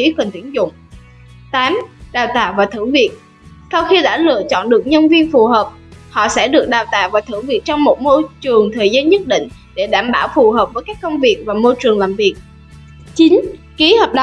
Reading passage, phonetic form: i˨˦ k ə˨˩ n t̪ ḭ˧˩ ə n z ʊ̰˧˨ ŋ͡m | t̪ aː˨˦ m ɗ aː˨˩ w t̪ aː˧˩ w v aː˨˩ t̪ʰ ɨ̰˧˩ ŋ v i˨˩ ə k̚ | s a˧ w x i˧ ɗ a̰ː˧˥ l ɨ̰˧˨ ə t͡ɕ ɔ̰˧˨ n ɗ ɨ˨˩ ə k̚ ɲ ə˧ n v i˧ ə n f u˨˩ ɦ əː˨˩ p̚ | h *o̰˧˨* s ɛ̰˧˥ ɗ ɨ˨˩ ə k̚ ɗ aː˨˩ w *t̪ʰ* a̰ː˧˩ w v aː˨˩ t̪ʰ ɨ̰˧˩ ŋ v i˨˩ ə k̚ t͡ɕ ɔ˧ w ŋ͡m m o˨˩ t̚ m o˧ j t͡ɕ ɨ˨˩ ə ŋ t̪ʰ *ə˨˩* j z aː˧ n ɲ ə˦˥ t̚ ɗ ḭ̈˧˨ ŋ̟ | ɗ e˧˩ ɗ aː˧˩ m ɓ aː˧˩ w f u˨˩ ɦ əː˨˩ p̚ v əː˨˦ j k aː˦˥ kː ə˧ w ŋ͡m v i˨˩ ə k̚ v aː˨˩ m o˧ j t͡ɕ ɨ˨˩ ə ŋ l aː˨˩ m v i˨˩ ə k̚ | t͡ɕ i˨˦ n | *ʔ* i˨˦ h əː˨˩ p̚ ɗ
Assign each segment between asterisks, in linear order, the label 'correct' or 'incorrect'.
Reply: incorrect: ɔ̰˧˨, incorrect: t̪, incorrect: əː˨˩, incorrect: k

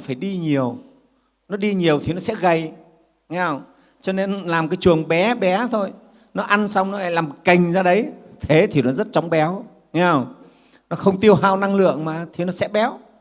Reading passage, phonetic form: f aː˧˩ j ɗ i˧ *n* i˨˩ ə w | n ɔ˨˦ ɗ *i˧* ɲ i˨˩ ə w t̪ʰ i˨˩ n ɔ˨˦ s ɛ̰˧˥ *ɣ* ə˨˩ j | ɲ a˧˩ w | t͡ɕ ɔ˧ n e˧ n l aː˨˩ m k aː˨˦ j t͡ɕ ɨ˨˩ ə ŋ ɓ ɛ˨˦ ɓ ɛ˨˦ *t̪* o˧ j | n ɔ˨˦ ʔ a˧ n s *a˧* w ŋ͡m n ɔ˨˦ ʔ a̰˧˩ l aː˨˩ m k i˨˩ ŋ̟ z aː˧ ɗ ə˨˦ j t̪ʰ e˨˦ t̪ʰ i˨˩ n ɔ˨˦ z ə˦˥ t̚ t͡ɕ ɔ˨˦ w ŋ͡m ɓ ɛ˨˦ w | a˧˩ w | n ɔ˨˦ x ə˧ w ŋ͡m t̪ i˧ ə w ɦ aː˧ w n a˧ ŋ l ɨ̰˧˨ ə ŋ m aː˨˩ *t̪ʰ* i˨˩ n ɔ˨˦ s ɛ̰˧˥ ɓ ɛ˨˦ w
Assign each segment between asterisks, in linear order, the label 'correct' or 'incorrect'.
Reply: incorrect: ɲ, correct, correct, incorrect: t̪ʰ, correct, correct

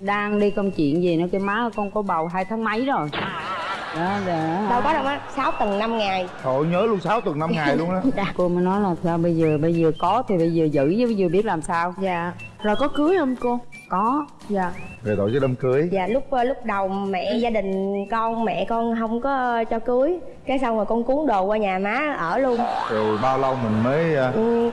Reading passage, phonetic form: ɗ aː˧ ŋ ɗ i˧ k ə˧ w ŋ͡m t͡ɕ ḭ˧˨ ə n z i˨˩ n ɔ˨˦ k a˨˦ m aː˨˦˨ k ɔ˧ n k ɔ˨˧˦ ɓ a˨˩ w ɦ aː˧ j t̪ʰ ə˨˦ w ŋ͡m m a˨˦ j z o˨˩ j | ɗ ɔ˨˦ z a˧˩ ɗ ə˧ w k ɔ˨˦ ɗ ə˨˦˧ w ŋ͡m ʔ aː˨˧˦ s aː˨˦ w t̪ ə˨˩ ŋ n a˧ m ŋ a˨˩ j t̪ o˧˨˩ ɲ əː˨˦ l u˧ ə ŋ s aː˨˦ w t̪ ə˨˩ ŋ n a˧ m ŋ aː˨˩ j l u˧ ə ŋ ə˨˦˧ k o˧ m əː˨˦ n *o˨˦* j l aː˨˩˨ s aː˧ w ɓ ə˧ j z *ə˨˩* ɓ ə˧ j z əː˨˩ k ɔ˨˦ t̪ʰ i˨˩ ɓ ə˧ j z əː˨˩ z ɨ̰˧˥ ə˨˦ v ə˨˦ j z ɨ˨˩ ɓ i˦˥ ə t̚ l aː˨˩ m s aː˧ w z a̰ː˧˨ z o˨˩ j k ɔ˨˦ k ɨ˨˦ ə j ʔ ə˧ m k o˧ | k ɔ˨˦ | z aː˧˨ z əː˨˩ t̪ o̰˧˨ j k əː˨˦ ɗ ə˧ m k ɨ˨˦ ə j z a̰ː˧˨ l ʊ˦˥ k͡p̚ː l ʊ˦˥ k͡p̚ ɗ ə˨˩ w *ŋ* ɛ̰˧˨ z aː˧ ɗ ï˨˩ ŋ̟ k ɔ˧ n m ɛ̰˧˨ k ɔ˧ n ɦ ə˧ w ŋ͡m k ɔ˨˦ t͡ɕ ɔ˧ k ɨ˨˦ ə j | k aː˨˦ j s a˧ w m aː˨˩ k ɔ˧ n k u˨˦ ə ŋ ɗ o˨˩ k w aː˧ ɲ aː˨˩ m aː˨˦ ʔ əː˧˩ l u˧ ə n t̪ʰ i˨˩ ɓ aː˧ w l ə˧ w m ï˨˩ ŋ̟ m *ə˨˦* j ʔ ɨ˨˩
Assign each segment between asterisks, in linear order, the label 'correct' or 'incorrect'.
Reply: incorrect: ɔ˨˦, incorrect: əː˨˩, incorrect: m, incorrect: əː˨˦

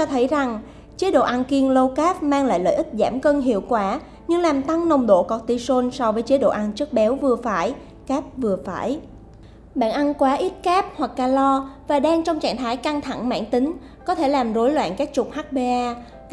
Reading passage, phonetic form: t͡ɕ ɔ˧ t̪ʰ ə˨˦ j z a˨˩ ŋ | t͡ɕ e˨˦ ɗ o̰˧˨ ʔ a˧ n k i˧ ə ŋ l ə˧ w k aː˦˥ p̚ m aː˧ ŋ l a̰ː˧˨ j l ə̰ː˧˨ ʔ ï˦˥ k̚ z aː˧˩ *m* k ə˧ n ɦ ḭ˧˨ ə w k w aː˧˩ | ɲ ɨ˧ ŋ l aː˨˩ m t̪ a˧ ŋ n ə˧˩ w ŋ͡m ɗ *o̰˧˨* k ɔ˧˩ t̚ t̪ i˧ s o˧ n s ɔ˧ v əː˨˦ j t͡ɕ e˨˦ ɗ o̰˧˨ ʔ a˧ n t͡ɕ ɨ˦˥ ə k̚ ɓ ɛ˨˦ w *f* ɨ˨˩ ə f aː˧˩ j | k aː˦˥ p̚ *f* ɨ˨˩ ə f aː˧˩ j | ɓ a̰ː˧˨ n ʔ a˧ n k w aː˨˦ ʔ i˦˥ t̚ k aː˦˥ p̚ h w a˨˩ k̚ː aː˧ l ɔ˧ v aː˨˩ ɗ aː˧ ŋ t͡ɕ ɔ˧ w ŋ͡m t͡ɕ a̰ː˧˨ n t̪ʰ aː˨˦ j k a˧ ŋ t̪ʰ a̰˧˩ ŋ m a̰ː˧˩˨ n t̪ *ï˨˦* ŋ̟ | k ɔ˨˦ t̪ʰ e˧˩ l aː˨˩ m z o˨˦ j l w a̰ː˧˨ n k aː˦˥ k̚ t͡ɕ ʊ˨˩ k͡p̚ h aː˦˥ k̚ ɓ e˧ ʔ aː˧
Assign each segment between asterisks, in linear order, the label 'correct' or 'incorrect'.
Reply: correct, correct, incorrect: v, incorrect: v, correct

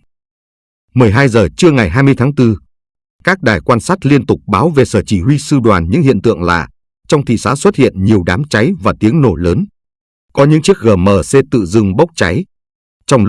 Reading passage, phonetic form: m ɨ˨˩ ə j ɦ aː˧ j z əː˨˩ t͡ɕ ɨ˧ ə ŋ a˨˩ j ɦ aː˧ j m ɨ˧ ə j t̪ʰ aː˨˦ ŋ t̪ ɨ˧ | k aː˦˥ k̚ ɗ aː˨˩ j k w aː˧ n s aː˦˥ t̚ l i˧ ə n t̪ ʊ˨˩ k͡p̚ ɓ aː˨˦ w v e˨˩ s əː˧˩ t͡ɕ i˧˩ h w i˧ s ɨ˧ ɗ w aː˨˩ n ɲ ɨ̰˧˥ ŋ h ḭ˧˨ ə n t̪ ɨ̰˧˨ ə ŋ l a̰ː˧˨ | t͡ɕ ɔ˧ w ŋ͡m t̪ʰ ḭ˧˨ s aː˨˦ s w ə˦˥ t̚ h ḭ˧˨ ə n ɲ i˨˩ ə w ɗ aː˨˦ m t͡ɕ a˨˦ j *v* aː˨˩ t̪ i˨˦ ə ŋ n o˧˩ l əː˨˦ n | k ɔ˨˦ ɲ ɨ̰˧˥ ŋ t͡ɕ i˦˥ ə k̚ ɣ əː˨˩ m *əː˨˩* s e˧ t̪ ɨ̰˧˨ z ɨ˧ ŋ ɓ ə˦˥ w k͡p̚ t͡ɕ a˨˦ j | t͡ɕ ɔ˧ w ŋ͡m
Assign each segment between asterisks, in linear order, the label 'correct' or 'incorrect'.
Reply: correct, correct

